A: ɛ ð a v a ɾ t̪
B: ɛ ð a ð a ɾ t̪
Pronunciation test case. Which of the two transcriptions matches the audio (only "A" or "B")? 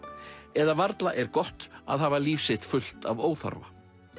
A